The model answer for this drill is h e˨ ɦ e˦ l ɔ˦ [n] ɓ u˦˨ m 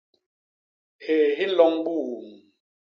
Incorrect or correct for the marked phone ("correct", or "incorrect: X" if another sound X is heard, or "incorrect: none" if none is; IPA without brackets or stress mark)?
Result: incorrect: ŋ